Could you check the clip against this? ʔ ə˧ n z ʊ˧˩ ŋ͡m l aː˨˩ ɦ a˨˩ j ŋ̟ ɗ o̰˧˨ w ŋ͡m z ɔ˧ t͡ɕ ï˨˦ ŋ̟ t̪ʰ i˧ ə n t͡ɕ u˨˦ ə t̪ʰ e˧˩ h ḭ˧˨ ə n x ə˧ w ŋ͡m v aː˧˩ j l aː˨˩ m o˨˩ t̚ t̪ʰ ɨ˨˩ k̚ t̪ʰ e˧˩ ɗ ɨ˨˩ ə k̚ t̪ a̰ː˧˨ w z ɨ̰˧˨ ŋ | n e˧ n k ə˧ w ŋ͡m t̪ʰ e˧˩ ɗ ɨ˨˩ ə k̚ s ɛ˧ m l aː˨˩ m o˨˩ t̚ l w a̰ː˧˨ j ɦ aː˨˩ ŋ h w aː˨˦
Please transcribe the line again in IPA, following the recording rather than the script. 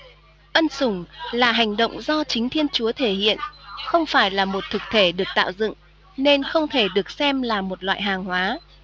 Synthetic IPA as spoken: ʔ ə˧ n s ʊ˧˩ ŋ͡m l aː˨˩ ɦ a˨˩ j ŋ̟ ɗ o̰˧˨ w ŋ͡m z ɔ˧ t͡ɕ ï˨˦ ŋ̟ t̪ʰ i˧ ə n t͡ɕ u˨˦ ə t̪ʰ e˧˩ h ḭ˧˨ ə n x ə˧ w ŋ͡m f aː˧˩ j l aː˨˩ m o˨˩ t̚ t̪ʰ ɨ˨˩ k̚ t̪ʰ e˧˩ ɗ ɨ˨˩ ə k̚ t̪ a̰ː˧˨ w z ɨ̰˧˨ ŋ | n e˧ n x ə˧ w ŋ͡m t̪ʰ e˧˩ ɗ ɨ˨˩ ə k̚ s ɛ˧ m l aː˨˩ m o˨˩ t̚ l w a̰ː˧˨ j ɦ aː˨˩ ŋ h w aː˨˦

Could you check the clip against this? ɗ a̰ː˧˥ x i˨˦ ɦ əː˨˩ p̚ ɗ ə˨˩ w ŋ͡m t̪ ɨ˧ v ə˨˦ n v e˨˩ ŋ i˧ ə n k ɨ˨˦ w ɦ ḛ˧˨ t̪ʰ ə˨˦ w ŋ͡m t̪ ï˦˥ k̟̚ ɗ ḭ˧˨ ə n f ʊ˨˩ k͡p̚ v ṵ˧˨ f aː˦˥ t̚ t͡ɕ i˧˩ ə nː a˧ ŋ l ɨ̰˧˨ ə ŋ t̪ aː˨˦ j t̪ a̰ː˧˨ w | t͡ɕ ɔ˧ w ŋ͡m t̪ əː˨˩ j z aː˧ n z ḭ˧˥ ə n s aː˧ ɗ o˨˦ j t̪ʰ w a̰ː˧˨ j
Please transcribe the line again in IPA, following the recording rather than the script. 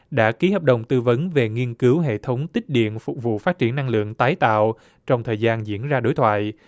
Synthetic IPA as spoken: ɗ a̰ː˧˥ k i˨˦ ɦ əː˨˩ p̚ ɗ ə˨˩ w ŋ͡m t̪ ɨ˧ v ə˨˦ n v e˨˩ ŋ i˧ ə n k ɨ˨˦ w ɦ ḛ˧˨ t̪ʰ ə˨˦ w ŋ͡m t̪ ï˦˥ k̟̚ ɗ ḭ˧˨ ə n f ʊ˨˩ k͡p̚ v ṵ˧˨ f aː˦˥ t̚ t͡ɕ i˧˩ ə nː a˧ ŋ l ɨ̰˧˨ ə ŋ t̪ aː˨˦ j t̪ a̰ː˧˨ w | t͡ɕ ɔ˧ w ŋ͡m t̪ʰ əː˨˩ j z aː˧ n z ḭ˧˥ ə n z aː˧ ɗ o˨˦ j t̪ʰ w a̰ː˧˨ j

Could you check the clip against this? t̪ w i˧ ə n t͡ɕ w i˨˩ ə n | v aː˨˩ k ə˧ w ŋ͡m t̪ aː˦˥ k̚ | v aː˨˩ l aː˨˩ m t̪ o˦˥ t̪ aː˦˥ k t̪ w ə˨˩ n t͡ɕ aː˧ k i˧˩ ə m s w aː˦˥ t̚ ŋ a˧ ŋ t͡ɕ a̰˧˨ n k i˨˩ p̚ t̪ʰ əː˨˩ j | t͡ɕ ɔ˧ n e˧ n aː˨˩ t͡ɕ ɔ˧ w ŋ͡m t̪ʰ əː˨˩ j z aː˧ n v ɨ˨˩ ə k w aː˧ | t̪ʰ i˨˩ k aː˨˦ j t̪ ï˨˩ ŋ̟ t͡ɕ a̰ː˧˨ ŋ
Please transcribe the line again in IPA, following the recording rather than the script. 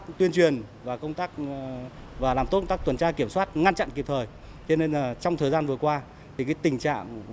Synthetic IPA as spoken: t̪ w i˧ ə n t͡ɕ w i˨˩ ə n | v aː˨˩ k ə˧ w ŋ͡m t̪ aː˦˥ k̚ | v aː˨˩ l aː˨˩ m t̪ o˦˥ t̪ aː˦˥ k t̪ w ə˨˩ n t͡ɕ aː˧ k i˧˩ ə m s w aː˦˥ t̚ ŋ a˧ n t͡ɕ a̰˧˨ n k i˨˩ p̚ t̪ʰ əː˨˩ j | t͡ɕ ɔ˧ n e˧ n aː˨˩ t͡ɕ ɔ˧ w ŋ͡m t̪ʰ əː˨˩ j z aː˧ n v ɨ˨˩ ə k w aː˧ | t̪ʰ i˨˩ k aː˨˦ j t̪ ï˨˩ ŋ̟ t͡ɕ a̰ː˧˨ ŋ

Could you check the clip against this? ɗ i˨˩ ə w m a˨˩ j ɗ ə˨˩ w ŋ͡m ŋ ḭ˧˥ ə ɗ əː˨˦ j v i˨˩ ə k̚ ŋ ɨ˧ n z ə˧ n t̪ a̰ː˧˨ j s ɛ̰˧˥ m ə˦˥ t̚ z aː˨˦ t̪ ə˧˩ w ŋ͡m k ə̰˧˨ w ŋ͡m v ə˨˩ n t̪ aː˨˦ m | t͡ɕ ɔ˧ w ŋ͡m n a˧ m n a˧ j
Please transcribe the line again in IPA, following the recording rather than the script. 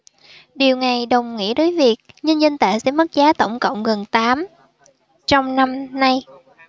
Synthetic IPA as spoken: ɗ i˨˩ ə w ŋ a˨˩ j ɗ ə˨˩ w ŋ͡m ŋ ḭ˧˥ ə ɗ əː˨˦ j v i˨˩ ə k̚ ɲ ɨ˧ n z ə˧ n t̪ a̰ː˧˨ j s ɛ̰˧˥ m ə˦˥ t̚ z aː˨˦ t̪ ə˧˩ w ŋ͡m k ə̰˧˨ w ŋ͡m ɣ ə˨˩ n t̪ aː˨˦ m | t͡ɕ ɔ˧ w ŋ͡m n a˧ m n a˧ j

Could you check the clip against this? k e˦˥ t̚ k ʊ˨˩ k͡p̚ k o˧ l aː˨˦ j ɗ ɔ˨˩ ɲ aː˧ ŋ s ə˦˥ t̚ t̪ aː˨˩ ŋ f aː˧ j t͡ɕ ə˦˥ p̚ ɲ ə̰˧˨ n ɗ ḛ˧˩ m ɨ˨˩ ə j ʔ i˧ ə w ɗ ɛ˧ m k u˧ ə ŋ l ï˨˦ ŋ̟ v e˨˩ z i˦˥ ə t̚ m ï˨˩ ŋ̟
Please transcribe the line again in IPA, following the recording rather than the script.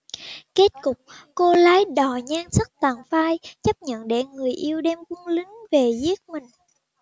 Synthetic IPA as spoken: k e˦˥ t̚ k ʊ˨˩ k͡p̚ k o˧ l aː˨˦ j ɗ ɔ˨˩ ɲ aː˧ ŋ s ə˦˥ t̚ t̪ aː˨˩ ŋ f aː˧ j t͡ɕ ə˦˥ p̚ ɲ ə̰˧˨ n ɗ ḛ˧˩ ŋ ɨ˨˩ ə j ʔ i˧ ə w ɗ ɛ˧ m k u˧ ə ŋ l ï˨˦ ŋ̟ v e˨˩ z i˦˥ ə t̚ m ï˨˩ ŋ̟

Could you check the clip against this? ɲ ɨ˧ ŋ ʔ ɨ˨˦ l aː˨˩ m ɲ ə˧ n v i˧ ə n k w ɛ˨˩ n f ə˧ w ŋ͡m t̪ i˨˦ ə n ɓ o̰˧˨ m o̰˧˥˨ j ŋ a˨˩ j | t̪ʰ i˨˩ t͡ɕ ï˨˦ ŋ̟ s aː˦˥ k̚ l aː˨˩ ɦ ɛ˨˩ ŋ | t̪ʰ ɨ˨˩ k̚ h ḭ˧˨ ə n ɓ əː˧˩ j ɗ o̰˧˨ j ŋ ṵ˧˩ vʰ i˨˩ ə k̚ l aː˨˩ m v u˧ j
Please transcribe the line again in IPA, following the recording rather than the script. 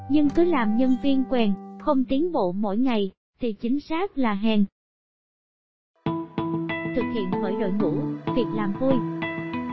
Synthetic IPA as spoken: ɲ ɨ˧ ŋ k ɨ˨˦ l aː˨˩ m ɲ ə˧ n v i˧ ə n k w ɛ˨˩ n x ə˧ w ŋ͡m t̪ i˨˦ ə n ɓ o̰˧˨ m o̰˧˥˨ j ŋ a˨˩ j | t̪ʰ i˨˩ t͡ɕ ï˨˦ ŋ̟ s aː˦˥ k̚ l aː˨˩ ɦ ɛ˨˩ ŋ | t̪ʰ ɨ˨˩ k̚ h ḭ˧˨ ə n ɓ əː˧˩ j ɗ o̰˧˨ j ŋ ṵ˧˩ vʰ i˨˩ ə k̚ l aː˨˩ m v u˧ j

